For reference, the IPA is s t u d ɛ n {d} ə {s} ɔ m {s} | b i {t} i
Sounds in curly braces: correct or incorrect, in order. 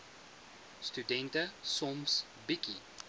incorrect, correct, correct, incorrect

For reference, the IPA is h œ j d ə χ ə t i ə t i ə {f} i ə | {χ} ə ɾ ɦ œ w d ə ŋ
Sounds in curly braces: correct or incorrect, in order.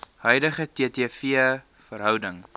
correct, incorrect

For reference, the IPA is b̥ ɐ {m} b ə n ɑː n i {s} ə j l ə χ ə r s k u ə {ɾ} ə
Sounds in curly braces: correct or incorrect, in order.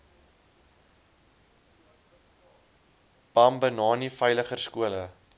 correct, incorrect, incorrect

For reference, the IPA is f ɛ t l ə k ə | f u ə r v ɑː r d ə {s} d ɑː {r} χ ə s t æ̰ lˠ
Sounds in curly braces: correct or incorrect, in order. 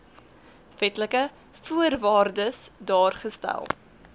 correct, correct

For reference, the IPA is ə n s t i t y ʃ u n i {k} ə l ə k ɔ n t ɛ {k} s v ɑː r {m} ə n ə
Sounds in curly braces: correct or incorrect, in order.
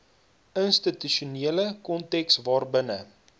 incorrect, correct, incorrect

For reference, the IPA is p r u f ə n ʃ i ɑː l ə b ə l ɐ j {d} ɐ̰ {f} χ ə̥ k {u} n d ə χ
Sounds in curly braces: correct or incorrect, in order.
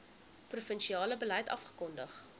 incorrect, correct, incorrect

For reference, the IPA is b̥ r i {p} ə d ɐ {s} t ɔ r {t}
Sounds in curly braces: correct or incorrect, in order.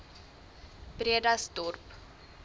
incorrect, correct, incorrect

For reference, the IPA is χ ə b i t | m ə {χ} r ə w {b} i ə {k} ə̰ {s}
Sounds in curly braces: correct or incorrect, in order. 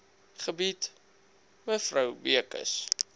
incorrect, correct, correct, correct

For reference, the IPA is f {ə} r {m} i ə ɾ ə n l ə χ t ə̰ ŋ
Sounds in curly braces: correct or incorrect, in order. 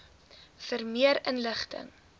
correct, correct

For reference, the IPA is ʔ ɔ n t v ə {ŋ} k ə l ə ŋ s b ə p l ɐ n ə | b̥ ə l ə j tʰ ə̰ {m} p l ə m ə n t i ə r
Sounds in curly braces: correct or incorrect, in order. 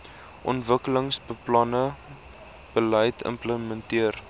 incorrect, correct

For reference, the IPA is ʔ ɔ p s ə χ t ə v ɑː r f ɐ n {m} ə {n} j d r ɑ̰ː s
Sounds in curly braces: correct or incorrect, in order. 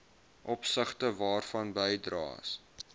incorrect, incorrect

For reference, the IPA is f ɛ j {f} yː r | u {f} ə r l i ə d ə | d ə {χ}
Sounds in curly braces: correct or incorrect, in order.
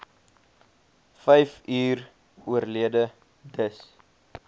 correct, incorrect, incorrect

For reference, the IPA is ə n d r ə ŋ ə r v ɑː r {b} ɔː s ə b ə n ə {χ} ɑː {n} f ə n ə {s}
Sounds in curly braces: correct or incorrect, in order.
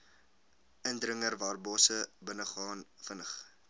correct, correct, correct, incorrect

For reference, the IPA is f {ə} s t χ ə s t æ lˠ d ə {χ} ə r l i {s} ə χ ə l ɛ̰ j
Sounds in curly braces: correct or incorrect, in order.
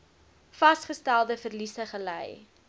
incorrect, incorrect, correct

